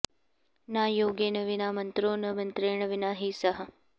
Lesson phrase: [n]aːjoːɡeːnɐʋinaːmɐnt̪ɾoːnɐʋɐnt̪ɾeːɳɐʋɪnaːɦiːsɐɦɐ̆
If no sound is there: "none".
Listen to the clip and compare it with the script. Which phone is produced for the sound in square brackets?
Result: n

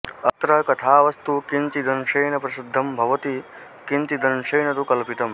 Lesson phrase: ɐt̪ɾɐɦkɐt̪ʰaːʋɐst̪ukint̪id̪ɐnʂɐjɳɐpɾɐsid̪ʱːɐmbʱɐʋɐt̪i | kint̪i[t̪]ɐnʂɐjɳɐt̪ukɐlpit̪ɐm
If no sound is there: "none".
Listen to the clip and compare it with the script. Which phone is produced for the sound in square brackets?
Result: d̪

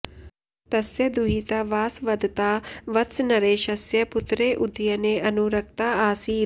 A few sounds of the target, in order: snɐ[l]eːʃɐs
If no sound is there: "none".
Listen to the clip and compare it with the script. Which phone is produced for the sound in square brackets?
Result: ɾ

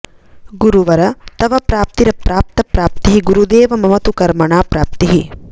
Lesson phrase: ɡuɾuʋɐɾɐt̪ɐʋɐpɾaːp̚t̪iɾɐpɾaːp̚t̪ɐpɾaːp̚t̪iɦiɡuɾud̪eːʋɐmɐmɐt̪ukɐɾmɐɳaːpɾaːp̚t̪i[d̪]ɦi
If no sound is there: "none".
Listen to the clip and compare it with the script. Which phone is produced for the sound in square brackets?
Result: none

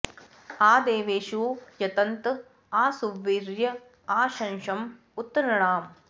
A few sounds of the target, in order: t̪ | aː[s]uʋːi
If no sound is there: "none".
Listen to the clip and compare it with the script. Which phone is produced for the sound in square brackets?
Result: s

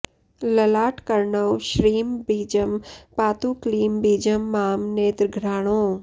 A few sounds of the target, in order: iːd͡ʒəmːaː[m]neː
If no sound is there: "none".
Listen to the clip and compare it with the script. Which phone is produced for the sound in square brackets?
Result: m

